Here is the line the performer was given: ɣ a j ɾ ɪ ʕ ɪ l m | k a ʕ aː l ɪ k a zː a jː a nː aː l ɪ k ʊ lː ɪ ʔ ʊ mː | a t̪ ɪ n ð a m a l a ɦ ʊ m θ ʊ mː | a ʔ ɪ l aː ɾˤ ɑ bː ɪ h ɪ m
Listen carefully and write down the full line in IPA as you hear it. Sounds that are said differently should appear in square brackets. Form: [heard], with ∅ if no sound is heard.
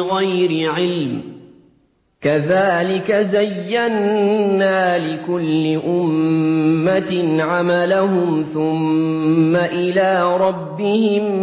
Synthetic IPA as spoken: ɣ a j ɾ ɪ ʕ ɪ l m | k a [ð] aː l ɪ k a [z] a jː a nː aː l ɪ k ʊ lː ɪ ʔ ʊ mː | a t̪ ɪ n [ʕ] a m a l a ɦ ʊ m θ ʊ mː | a ʔ ɪ l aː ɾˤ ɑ bː ɪ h ɪ m